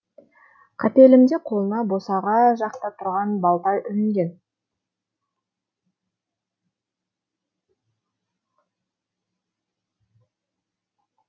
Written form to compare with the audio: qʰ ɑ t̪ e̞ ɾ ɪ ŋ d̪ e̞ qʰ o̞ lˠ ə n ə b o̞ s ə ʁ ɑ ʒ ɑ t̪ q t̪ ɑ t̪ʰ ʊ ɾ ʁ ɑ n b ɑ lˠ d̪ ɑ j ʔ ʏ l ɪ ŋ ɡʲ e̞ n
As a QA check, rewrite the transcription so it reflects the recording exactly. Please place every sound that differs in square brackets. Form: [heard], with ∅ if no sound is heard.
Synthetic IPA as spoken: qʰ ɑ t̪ e̞ [l] ɪ [m] d̪ e̞ qʰ o̞ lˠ ə n [ɑ] b o̞ s [ɑ] ʁ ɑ ʒ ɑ [∅] q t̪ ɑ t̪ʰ ʊ ɾ ʁ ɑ n b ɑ lˠ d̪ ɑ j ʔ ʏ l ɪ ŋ ɡʲ e̞ n